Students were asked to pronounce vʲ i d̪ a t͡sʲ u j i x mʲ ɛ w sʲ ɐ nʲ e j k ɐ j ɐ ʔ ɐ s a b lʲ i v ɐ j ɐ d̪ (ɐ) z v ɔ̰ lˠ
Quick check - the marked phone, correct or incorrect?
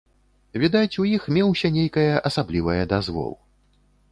incorrect